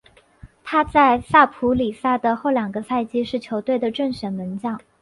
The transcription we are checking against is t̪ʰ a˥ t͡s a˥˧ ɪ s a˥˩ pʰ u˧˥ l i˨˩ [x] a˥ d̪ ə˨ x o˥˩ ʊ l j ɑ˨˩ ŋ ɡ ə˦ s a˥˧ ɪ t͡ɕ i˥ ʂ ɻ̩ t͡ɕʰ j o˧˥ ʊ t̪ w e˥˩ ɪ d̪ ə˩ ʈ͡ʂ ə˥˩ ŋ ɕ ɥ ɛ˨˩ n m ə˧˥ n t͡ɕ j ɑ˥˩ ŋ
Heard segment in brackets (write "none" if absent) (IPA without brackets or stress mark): s